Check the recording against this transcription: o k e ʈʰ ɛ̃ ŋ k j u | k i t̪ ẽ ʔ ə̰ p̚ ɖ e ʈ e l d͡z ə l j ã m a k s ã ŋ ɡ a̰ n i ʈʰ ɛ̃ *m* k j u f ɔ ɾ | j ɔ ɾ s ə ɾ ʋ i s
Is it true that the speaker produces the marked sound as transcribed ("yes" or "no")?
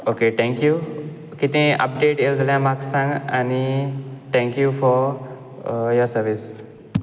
no